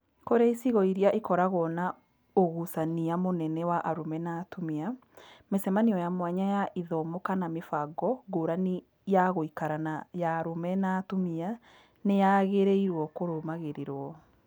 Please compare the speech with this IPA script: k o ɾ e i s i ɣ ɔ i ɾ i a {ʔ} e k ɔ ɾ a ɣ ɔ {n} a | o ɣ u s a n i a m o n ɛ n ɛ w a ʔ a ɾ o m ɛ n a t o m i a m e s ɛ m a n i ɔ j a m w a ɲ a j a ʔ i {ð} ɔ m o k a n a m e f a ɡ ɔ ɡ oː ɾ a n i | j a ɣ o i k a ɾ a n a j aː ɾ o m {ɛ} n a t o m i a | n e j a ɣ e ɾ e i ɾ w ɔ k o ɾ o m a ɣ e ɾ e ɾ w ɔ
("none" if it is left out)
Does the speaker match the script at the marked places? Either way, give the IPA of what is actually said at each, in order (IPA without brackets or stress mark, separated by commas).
ʔ, n, ð, ɛ